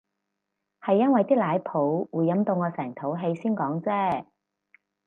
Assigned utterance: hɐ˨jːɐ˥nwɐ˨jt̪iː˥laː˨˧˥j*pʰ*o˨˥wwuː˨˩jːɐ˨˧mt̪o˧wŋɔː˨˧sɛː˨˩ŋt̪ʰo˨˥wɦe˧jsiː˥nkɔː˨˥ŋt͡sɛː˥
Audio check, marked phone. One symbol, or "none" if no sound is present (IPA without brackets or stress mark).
pʰ